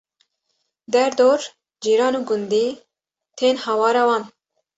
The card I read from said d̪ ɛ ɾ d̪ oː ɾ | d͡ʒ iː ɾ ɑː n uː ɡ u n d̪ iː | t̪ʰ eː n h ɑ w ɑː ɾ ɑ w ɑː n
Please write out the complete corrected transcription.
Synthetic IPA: d̪ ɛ ɾ d̪ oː ɾ | d͡ʒ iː ɾ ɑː n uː ɡ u n d̪ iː | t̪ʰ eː n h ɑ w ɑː ɾ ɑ w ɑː n